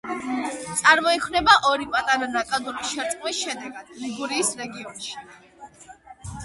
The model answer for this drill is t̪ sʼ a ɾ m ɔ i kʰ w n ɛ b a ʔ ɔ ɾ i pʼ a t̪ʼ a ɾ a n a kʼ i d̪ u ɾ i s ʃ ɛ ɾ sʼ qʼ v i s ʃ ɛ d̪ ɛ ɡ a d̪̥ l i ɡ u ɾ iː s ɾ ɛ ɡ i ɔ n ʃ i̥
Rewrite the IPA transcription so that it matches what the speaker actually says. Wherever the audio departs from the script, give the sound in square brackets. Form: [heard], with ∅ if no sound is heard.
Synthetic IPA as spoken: t̪ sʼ a ɾ m ɔ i kʰ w n ɛ b a ʔ ɔ ɾ i pʼ a t̪ʼ a ɾ a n a kʼ [a] d̪ u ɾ i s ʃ ɛ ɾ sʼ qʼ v i s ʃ ɛ d̪ ɛ ɡ a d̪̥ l i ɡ u ɾ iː s ɾ ɛ ɡ i ɔ n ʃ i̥